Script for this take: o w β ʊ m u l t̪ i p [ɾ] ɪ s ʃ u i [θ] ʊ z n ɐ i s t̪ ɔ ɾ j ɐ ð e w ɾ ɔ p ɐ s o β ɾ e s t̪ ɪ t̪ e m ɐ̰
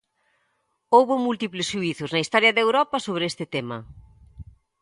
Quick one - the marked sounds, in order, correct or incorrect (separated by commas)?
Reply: incorrect, correct